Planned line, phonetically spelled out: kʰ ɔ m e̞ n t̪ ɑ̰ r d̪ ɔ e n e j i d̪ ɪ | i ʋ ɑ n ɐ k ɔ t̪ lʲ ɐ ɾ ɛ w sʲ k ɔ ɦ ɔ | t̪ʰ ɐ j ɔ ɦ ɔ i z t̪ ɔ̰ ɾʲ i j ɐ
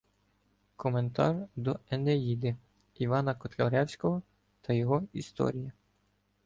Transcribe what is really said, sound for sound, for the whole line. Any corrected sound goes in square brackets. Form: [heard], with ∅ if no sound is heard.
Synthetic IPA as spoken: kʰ ɔ m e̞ n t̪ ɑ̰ r d̪ ɔ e n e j i d̪ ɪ | i ʋ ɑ n ɐ k ɔ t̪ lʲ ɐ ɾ ɛ w sʲ k ɔ ɦ ɔ | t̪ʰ ɐ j ɔ ɦ ɔ i [s] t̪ ɔ̰ ɾʲ i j ɐ